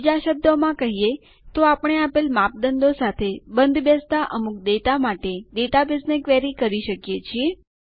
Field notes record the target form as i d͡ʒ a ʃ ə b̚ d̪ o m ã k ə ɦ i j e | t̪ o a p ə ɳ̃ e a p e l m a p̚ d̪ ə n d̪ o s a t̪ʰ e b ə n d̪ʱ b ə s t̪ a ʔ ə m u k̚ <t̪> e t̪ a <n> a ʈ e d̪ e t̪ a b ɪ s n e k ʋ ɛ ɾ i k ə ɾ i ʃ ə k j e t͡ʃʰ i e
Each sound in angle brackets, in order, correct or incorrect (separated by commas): incorrect, incorrect